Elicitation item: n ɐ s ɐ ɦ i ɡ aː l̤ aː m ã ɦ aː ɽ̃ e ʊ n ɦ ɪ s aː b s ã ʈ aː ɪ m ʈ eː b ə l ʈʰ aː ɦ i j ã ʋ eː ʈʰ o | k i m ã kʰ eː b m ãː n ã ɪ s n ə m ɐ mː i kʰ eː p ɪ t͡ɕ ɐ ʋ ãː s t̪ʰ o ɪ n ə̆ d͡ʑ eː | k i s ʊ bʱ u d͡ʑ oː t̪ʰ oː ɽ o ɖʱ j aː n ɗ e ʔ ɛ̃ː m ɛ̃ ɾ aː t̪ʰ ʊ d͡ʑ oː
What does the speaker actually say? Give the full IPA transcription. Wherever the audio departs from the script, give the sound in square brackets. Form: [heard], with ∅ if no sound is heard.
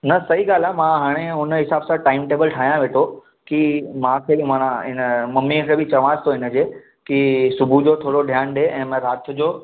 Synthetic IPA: n ɐ s ɐ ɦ i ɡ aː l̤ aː m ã ɦ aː ɽ̃ e ʊ n ɦ ɪ s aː b s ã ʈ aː ɪ m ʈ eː b ə l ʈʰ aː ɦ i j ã ʋ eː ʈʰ o | k i m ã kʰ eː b m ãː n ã ɪ [∅] n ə m ɐ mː i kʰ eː [b] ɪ t͡ɕ ɐ ʋ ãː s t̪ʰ o ɪ n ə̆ d͡ʑ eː | k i s ʊ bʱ u d͡ʑ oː t̪ʰ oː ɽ o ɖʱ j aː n ɗ e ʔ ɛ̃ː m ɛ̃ ɾ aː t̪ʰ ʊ d͡ʑ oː